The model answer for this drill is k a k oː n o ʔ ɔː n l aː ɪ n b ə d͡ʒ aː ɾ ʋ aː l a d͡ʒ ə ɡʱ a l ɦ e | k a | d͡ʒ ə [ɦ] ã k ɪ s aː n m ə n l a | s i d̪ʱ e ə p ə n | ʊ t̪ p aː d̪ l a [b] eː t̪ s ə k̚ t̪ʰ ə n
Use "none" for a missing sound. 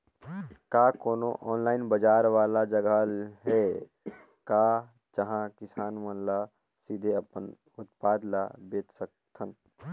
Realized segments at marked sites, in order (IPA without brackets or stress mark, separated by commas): ɦ, b